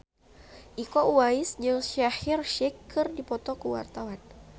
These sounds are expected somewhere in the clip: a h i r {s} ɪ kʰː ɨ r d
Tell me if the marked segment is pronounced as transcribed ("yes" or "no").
no